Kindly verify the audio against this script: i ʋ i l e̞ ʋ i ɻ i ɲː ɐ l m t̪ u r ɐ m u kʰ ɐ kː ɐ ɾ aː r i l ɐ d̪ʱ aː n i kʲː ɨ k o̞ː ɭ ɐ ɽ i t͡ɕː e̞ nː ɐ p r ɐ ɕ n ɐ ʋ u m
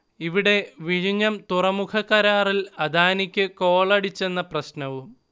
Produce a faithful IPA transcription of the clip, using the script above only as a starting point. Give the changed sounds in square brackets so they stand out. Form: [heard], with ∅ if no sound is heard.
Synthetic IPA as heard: i ʋ i [ɽ] e̞ ʋ i ɻ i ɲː ɐ [∅] m t̪ u r ɐ m u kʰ ɐ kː ɐ ɾ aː r i l ɐ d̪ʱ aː n i kʲː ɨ k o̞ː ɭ ɐ ɽ i t͡ɕː e̞ nː ɐ p r ɐ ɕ n ɐ ʋ u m

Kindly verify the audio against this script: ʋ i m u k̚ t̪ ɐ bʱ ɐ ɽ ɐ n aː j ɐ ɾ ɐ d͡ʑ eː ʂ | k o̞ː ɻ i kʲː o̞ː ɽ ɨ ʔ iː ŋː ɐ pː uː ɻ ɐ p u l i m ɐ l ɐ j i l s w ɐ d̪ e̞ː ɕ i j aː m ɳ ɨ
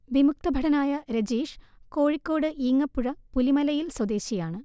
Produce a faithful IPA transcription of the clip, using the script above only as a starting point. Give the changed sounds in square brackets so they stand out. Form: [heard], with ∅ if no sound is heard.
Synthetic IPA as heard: ʋ i m u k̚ t̪ ɐ bʱ ɐ ɽ ɐ n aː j ɐ ɾ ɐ d͡ʑ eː ʂ | k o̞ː ɻ i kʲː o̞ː ɽ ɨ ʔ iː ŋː ɐ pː [u] ɻ ɐ p u l i m ɐ l ɐ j i l s w ɐ d̪ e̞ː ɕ i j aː [∅] ɳ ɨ

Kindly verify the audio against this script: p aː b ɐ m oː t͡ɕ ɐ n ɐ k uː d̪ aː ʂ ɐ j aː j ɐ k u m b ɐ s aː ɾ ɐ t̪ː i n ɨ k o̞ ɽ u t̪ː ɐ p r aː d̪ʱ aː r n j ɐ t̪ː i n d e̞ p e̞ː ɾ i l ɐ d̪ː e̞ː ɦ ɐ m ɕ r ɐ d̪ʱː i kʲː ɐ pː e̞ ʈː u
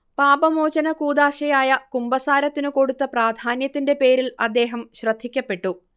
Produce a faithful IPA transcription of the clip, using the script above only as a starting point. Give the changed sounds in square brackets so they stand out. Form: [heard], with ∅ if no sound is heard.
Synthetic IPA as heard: p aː b ɐ m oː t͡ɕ ɐ n ɐ k uː d̪ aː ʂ ɐ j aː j ɐ k u m b ɐ s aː ɾ ɐ t̪ː i n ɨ k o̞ ɽ u t̪ː ɐ p r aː d̪ʱ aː [∅] n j ɐ t̪ː i n d e̞ p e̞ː ɾ i l ɐ d̪ː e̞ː ɦ ɐ m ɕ r ɐ d̪ʱː i kʲː ɐ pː e̞ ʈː u

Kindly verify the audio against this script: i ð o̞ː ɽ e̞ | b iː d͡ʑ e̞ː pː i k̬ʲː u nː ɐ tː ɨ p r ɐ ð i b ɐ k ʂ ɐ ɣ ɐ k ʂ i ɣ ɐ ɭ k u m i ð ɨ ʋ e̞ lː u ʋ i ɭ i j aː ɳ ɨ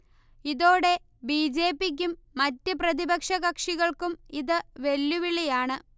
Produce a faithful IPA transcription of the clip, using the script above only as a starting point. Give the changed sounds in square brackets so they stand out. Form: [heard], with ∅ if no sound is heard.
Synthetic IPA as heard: i ð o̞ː ɽ e̞ | b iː d͡ʑ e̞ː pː i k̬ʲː u [mː] ɐ tː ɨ p r ɐ ð i b ɐ k ʂ ɐ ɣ ɐ k ʂ i ɣ ɐ ɭ k u m i ð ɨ ʋ e̞ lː u ʋ i ɭ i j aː ɳ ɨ

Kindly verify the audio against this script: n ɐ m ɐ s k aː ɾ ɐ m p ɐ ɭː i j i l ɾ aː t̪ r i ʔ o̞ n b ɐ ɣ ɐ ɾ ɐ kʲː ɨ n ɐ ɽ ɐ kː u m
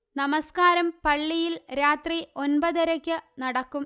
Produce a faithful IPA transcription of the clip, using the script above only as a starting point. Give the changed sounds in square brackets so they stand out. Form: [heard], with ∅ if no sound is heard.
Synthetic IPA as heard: n ɐ m ɐ s k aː ɾ ɐ m p ɐ ɭː i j i l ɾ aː t̪ r i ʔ o̞ n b ɐ [ð] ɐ ɾ ɐ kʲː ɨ n ɐ ɽ ɐ kː u m

